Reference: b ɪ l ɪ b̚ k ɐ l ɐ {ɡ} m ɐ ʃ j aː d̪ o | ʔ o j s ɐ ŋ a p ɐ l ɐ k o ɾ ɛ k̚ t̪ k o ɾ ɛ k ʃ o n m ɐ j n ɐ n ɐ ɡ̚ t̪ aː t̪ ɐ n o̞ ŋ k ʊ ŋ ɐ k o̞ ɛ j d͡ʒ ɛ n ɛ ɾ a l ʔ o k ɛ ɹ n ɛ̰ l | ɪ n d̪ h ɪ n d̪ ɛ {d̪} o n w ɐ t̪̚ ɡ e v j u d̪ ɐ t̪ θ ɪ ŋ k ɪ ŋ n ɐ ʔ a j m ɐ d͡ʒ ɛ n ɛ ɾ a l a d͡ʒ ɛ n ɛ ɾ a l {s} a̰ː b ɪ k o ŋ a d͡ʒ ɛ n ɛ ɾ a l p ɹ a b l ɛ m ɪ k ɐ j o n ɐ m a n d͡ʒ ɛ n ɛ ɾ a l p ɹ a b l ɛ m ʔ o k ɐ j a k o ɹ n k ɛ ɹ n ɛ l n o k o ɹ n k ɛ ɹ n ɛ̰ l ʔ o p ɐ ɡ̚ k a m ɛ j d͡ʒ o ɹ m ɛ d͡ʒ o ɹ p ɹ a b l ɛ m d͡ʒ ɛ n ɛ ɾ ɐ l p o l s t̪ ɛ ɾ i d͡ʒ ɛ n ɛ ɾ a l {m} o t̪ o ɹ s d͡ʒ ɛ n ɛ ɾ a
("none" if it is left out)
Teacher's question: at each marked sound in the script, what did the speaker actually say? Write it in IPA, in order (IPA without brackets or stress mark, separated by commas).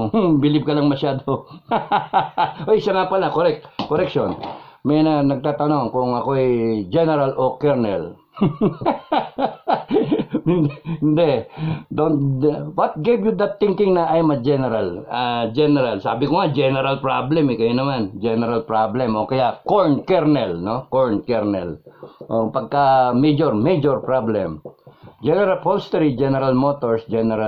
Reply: ŋ, d̪, s, m